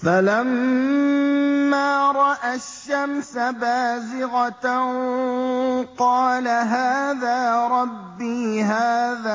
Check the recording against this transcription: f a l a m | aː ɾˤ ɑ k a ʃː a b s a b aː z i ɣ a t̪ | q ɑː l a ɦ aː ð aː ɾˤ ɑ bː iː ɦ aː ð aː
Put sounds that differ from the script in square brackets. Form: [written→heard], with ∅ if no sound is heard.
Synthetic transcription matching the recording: f a l a m | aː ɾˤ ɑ [k→ʔ] a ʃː a [b→m] s a b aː z [i→ɪ] ɣ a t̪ | q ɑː l a ɦ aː ð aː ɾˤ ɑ bː iː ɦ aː ð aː